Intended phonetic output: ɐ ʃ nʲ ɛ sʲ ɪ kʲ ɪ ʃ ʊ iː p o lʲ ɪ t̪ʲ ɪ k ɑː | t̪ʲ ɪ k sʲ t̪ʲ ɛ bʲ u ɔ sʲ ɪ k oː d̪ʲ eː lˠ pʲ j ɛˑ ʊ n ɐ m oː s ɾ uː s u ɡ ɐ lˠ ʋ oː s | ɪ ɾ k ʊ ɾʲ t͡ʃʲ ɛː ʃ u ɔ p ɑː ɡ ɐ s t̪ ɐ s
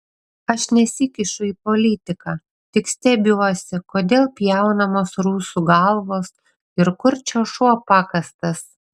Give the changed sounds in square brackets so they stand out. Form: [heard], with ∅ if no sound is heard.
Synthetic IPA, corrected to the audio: ɐ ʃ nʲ ɛ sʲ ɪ kʲ ɪ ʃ ʊ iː p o lʲ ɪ t̪ʲ ɪ k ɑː | t̪ʲ ɪ k sʲ t̪ʲ ɛ bʲ u ɔ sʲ ɪ k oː d̪ʲ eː lˠ pʲ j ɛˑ ʊ n ɐ m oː s ɾ uː s u ɡ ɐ lˠ ʋ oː s | ɪ ɾ k ʊ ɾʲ t͡ʃʲ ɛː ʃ u ɔ p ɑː [k] ɐ s t̪ ɐ s